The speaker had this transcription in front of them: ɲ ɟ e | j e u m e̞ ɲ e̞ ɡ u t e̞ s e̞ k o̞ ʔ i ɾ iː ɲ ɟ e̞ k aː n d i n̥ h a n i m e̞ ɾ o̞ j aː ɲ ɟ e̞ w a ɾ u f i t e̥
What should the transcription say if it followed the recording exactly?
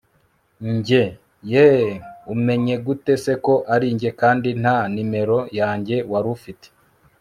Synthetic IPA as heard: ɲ ɟ e | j e u m e̞ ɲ e̞ ɡ u t e̞ s e̞ k o̞ ʔ a ɾ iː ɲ ɟ e̞ k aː n d i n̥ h a n i m e̞ ɾ o̞ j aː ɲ ɟ e̞ w a ɾ u f i t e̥

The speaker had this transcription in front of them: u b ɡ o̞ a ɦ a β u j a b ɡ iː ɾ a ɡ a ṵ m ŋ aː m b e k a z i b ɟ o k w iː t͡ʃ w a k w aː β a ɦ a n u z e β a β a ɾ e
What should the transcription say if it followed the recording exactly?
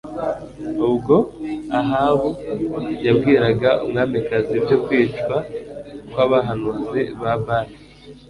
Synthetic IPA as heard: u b ɡ o̞ a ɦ a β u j a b ɡ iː ɾ a ɡ a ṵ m ŋ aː m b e k a z i b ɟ o k w iː t͡ʃ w a k w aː β a ɦ a n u z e β a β a ɾ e

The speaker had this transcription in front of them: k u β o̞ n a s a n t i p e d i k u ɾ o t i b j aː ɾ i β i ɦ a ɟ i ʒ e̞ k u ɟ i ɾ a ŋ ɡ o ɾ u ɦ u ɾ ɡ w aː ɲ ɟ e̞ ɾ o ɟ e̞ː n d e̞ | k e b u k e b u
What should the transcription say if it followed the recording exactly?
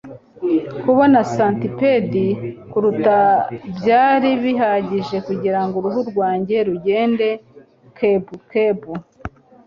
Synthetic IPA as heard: k u β o̞ n a s a n t i p e d i k u ɾ u t a b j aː ɾ i β i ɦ a ɟ i ʒ e̞ k u ɟ i ɾ a ŋ ɡ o ɾ u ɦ u ɾ ɡ w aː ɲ ɟ e̞ ɾ u ɟ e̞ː n d e̞ | k e b u k e b u

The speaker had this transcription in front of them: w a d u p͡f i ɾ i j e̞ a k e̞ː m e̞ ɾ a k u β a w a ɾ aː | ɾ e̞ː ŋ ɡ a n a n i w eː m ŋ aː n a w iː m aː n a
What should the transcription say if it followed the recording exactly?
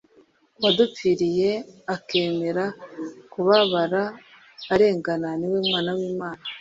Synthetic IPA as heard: w a d u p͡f i ɾ i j e̞ a k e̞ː m e̞ ɾ a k u β a β a ɾ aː | ɾ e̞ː ŋ ɡ a n a n i w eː m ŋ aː n a w iː m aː n a

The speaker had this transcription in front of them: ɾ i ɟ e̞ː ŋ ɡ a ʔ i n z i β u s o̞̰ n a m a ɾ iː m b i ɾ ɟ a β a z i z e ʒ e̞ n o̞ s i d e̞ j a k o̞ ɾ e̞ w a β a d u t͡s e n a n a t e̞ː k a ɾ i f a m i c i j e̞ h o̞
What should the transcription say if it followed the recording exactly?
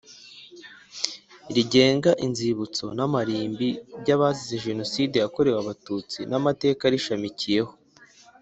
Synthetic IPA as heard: ɾ i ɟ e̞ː ŋ ɡ a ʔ i n z i β u t͡s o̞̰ n a m a ɾ iː m b i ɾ ɟ a β a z i z e ʒ e̞ n o̞ s i d e̞ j a k o̞ ɾ e̞ w a β a t u t͡s i n a m a t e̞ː k a ɾ i ʃ a m i c i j e̞ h o̞

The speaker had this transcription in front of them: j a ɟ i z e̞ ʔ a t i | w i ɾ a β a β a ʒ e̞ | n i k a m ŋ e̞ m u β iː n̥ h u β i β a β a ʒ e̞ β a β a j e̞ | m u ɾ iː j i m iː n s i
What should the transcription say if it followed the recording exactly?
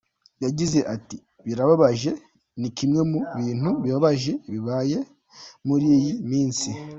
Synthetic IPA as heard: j a ɟ i z e̞ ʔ a t i | β i ɾ a β a β a ʒ e̞ | n i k i m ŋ e̞ m u β iː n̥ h u β i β a β a ʒ e̞ β i β a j e̞ | m u ɾ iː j i m iː n s i

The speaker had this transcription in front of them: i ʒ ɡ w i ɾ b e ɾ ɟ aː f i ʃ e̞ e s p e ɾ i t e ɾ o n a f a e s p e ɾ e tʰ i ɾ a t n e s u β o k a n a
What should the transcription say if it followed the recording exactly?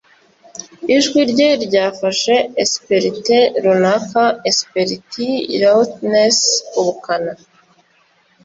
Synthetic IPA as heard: i ʒ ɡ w i ɾ ɟ e ɾ ɟ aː f a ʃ e̞ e s p e ɾ i t e ɾ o n a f a e s p e ɾ i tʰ i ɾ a t n e s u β u k a n a

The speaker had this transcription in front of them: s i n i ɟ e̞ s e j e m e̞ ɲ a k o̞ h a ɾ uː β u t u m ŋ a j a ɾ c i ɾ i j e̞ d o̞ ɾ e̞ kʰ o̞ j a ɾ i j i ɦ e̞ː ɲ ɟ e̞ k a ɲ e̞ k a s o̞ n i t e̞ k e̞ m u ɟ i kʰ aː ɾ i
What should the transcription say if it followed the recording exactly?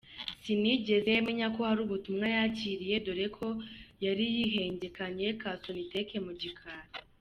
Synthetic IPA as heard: s i n i ɟ e̞ z e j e m e̞ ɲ a k o̞ h a ɾ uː β u t u m ŋ a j a c i ɾ i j e̞ d o̞ ɾ e̞ kʰ o̞ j a ɾ i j i ɦ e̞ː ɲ ɟ e̞ k a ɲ e̞ k a s o̞ n i t e̞ k e̞ m u ɟ i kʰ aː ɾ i

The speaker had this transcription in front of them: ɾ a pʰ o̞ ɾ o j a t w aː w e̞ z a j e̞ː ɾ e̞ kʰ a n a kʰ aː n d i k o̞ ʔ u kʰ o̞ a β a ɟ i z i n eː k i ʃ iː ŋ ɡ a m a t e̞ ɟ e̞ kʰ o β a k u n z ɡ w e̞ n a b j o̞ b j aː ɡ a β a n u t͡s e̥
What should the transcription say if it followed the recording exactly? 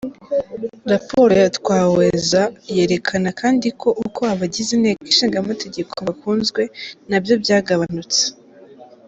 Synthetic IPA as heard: ɾ a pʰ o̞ ɾ o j a t w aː w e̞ z a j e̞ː ɾ e̞ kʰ a n a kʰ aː n d i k o̞ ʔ u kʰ o̞ a β a ɟ i z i n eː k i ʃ iː ŋ ɡ a m a t e̞ ɟ e̞ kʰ o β a k uː n z ɡ w e̞ n a b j o̞ b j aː ɡ a β a n u t͡s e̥

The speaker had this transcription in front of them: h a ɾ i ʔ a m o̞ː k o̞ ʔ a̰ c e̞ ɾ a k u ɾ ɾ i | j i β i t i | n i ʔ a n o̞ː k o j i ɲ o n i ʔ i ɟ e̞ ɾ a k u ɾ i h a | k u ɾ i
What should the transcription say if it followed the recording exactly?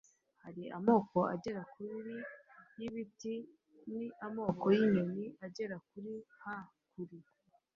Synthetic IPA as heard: h a ɾ i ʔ a m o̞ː k o̞ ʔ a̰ ɟ e̞ ɾ a k u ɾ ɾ i | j i β i t i | n i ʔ a m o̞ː k o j i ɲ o n i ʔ a ɟ e̞ ɾ a k u ɾ i h a | k u ɾ i

